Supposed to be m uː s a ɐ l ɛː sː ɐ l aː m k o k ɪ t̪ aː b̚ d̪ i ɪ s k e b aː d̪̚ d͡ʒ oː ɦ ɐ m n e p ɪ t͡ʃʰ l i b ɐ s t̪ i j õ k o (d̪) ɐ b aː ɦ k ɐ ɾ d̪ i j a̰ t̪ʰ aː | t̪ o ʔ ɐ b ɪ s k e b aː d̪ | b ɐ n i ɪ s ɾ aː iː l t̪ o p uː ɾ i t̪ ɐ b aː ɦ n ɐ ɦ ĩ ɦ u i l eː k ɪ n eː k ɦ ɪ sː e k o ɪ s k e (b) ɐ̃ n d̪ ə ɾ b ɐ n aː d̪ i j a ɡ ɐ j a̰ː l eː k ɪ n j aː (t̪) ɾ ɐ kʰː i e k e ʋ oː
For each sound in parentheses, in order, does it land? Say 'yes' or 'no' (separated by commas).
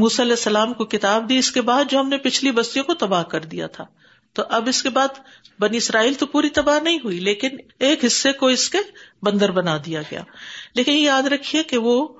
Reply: no, yes, no